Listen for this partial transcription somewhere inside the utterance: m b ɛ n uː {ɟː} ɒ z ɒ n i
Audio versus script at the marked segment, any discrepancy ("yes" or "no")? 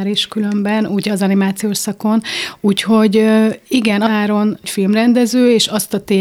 yes